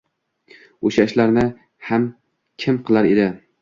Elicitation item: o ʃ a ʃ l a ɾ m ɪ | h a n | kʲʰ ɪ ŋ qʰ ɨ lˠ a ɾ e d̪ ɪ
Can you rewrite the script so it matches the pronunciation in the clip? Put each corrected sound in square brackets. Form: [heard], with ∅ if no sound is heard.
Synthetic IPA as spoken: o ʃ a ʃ l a ɾ [n] ɪ | h a [m] | kʲʰ ɪ [m] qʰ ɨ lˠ a ɾ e d̪ ɪ